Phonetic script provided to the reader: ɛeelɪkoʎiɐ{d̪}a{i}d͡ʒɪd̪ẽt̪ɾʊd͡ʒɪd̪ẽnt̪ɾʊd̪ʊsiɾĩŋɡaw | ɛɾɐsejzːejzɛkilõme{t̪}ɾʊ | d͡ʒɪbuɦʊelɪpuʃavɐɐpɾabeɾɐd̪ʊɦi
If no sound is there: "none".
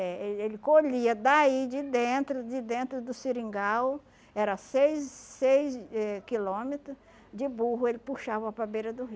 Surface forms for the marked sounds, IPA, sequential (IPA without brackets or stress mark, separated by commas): d̪, i, t̪